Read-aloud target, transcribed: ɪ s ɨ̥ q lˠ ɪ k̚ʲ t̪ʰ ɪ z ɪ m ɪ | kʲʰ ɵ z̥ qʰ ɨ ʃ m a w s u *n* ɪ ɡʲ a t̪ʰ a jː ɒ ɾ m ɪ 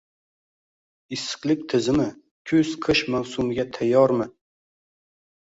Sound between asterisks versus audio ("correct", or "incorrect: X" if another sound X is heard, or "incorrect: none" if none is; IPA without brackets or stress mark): incorrect: m